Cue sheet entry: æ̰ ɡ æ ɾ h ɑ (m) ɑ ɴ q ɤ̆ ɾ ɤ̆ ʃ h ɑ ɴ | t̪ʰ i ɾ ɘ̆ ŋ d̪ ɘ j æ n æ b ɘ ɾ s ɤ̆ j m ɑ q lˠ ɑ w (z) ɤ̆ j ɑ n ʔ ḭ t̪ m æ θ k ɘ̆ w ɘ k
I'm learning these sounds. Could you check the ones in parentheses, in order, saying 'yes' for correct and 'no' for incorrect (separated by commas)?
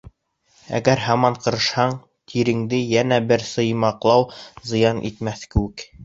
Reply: yes, yes